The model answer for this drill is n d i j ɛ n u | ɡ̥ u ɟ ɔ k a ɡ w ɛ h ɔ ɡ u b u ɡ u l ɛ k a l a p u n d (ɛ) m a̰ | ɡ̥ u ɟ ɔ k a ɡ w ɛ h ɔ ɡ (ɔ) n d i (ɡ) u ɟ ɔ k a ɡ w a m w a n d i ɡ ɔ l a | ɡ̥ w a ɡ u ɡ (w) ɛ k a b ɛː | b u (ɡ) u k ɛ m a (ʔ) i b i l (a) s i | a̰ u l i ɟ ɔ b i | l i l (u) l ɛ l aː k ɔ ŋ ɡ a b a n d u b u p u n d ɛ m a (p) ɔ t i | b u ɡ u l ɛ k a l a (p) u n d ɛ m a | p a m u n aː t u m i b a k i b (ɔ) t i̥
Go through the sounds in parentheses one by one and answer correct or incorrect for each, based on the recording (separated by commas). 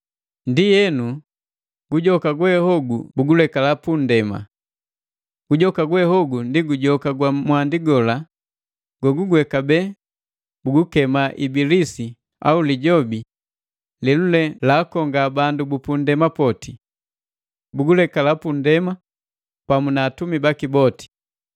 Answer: correct, incorrect, correct, correct, correct, correct, incorrect, correct, correct, correct, correct